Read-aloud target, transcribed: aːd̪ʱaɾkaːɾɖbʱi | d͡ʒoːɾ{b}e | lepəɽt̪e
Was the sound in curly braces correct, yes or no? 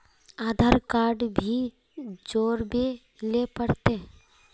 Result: yes